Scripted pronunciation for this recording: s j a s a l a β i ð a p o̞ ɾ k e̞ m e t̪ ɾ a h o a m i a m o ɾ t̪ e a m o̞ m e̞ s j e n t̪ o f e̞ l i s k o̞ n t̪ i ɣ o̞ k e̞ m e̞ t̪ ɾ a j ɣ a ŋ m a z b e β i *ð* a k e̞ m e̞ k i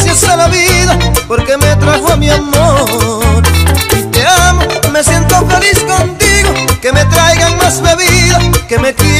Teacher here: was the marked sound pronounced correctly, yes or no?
yes